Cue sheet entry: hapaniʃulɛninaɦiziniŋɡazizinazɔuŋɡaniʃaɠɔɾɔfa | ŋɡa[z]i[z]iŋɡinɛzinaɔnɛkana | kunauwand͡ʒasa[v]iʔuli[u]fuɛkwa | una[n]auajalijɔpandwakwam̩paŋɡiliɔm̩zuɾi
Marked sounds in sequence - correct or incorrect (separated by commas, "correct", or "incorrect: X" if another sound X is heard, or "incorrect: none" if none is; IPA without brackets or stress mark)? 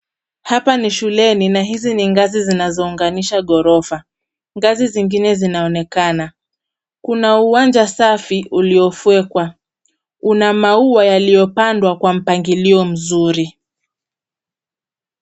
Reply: correct, correct, incorrect: f, incorrect: ɔ, incorrect: m